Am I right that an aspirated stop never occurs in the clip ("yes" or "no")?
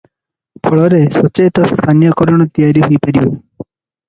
no